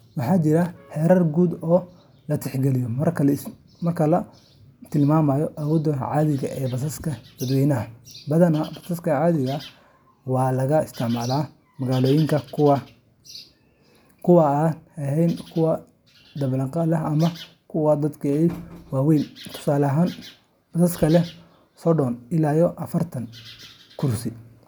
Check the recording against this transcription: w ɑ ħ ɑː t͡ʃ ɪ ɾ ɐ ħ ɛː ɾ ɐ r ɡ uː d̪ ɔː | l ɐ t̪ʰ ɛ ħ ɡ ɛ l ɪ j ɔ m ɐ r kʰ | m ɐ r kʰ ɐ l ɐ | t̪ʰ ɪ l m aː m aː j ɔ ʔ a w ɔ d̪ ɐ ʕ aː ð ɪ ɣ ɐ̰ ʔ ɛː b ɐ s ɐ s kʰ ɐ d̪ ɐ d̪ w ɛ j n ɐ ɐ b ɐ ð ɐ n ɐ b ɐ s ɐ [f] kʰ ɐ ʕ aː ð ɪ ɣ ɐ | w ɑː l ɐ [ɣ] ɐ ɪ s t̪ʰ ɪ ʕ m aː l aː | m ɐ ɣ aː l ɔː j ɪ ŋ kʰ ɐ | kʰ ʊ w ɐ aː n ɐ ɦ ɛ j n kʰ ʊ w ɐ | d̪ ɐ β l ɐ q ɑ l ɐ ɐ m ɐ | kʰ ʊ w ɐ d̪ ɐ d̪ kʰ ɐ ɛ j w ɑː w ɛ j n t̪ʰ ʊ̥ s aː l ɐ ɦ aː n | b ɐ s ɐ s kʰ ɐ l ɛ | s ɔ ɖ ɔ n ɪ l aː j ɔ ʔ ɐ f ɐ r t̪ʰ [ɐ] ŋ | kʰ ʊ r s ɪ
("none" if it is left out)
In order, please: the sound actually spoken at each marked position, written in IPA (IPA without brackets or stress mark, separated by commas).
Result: s, ɣ, ɐ